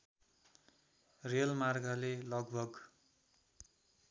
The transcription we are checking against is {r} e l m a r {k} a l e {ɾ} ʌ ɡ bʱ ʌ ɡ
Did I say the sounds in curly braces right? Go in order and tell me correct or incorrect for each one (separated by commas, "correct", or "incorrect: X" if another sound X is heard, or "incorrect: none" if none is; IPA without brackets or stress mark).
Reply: correct, incorrect: ɡ, incorrect: l